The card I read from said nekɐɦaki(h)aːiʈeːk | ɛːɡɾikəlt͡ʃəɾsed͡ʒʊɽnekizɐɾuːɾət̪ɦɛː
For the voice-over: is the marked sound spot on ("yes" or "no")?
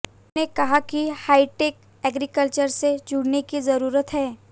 yes